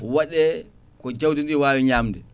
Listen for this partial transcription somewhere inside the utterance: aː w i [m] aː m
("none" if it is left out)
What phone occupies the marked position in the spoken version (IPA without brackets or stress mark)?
ɲ